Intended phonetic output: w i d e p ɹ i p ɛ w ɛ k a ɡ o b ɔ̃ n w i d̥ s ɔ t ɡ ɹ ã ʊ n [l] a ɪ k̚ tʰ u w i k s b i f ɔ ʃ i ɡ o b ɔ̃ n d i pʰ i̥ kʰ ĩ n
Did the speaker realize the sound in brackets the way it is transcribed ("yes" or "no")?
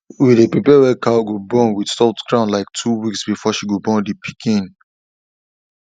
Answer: yes